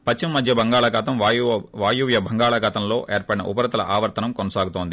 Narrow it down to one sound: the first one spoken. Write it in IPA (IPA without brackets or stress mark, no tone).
p